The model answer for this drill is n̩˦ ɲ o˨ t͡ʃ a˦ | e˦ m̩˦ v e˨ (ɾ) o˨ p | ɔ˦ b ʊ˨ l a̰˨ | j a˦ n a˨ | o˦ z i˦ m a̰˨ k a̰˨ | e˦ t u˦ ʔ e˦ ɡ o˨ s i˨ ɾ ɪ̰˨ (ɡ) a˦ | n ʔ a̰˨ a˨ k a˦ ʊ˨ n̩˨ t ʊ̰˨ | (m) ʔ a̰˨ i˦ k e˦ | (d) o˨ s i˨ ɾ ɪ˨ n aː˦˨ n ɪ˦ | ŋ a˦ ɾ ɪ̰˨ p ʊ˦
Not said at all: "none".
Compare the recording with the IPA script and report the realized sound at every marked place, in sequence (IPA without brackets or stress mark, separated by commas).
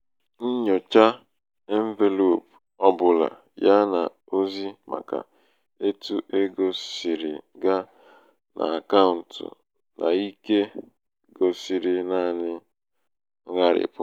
l, ɡ, n, ɡ